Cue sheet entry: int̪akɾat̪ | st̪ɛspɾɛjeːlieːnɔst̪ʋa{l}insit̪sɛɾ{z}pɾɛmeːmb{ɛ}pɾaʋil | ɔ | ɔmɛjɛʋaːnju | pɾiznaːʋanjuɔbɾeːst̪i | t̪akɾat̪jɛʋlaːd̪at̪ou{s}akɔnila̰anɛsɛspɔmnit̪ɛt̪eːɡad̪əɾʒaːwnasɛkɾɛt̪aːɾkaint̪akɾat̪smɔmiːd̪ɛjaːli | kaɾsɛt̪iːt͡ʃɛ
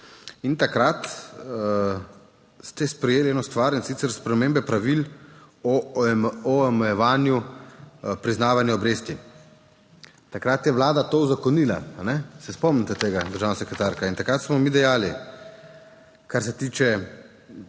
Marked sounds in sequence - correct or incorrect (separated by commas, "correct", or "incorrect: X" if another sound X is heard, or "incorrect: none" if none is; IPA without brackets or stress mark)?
incorrect: ɾ, incorrect: s, correct, incorrect: z